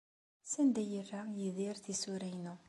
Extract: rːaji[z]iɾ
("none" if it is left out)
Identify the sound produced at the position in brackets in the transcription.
ð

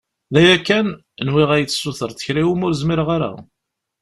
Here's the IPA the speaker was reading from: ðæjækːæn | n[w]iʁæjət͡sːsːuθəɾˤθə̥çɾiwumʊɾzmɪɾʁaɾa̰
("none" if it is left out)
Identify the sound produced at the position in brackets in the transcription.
w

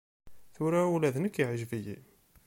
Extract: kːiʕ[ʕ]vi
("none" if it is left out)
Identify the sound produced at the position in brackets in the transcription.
ʒ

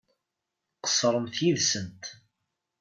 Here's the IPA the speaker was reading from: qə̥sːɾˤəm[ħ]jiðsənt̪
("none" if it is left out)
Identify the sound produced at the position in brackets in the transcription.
θ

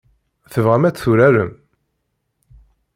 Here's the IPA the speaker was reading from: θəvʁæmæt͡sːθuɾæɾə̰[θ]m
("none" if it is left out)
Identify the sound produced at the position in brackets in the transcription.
none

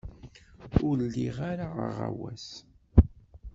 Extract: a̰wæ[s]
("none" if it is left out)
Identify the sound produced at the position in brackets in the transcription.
s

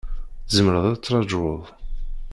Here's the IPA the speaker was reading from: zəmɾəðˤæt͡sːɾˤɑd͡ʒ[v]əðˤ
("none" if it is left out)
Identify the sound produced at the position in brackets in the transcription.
w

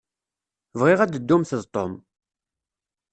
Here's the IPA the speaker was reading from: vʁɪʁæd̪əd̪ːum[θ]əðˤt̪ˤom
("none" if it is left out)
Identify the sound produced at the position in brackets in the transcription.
θ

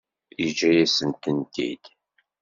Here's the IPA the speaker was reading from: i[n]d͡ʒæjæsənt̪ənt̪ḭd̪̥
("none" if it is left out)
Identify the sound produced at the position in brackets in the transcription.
none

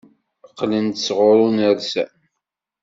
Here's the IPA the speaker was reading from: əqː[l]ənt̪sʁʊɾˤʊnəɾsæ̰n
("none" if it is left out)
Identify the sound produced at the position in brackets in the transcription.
l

